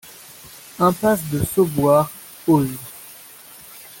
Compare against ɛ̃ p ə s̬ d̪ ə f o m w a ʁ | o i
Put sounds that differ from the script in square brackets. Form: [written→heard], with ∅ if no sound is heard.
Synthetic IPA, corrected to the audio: ɛ̃ p [ə→a] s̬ d̪ ə [f→s] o [m→b] w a ʁ | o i